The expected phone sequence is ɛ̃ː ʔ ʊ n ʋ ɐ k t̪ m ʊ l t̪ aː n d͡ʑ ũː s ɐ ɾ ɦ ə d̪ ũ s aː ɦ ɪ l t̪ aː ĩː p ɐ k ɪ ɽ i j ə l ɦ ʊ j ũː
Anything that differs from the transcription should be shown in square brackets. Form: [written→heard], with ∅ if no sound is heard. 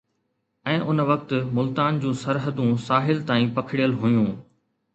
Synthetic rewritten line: ɛ̃ː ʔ ʊ n ʋ ɐ k t̪ m ʊ l t̪ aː n d͡ʑ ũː s ɐ ɾ ɦ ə d̪ ũ s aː ɦ ɪ l t̪ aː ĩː p ɐ [k→kʰ] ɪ ɽ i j ə l ɦ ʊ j ũː